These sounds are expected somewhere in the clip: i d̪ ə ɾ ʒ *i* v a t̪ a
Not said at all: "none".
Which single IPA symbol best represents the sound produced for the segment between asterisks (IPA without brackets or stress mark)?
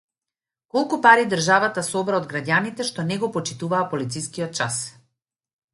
a